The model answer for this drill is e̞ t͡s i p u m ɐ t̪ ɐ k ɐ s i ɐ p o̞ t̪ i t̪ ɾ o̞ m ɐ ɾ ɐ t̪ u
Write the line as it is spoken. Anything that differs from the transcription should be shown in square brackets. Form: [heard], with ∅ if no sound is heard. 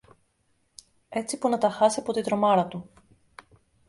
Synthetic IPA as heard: e̞ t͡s i p u [n] ɐ t̪ ɐ [x] ɐ s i ɐ p o̞ t̪ i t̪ ɾ o̞ m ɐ ɾ ɐ t̪ u